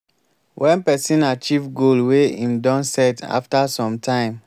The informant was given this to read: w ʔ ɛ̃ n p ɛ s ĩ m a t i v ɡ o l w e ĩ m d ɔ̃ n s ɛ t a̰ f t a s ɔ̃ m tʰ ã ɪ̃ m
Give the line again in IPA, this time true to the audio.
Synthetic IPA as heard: w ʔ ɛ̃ n p ɛ s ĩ n a t͡ʃ i v ɡ o l w e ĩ m d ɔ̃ n s ɛ t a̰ f t a s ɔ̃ m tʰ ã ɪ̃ m